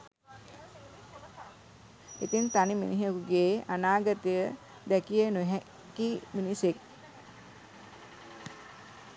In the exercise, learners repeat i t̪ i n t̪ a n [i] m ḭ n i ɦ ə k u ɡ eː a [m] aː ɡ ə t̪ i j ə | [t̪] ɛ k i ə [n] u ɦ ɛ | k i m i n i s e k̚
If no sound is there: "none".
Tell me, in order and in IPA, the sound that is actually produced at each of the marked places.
i, n, d̪, n

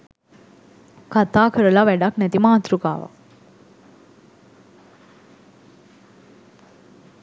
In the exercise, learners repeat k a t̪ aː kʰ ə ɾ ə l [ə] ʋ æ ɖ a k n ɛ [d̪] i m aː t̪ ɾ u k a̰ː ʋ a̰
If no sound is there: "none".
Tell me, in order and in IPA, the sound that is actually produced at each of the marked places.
a, t̪

